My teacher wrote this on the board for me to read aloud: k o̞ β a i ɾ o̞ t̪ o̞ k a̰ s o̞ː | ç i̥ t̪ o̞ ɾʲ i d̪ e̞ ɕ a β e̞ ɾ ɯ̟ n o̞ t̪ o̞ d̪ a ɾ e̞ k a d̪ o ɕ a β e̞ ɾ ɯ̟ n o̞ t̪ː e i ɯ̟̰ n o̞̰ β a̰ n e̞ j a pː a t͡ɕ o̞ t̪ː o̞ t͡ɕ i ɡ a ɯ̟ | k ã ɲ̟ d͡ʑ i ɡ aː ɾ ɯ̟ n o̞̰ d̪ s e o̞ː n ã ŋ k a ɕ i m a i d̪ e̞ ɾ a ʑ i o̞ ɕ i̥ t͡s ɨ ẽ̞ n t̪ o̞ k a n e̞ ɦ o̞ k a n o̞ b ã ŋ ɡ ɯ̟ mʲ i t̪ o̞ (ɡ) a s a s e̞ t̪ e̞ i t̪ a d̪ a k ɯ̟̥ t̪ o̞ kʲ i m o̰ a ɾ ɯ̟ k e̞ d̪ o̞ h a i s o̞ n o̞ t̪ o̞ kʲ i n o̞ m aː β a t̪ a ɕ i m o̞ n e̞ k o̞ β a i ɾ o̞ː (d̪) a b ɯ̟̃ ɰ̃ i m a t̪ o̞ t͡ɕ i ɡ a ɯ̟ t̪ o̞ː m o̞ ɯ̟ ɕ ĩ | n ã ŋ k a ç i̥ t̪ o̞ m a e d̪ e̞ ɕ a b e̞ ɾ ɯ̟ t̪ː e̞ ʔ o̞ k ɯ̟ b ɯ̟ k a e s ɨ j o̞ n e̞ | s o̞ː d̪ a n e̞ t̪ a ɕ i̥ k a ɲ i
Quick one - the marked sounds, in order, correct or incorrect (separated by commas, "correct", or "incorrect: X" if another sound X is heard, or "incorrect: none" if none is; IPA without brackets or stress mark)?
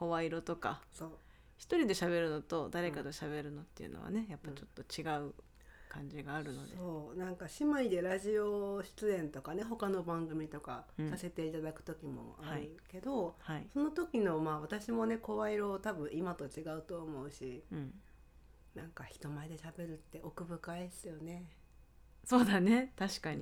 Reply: incorrect: k, incorrect: t̪